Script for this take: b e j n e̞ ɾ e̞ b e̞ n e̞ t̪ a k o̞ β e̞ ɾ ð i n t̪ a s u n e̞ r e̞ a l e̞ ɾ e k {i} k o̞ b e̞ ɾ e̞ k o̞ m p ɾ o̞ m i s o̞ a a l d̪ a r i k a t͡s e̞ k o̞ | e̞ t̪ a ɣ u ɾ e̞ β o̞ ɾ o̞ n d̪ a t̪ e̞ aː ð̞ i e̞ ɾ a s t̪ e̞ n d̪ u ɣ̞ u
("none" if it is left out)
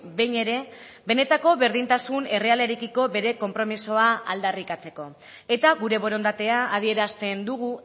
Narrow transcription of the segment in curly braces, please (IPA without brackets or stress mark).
i